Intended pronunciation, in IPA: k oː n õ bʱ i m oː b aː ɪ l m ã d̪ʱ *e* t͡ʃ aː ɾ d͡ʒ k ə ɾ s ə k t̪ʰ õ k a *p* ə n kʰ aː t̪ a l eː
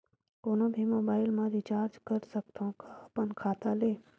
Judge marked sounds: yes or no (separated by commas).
no, yes